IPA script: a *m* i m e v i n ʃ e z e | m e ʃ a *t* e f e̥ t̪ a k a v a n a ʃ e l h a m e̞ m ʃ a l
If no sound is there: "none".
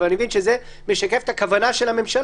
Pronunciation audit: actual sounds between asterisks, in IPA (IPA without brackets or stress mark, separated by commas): n, k